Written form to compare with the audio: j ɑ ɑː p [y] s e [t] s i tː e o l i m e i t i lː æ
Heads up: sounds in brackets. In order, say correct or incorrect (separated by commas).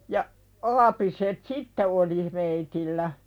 incorrect, correct